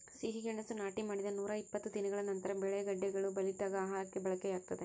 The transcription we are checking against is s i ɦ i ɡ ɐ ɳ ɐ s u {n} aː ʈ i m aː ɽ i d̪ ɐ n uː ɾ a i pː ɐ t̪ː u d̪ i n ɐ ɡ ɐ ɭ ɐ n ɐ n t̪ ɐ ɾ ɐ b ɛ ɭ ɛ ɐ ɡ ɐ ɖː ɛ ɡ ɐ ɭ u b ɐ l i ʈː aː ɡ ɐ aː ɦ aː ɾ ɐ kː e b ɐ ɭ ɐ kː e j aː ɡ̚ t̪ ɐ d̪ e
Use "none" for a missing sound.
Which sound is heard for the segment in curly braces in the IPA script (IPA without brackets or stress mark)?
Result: n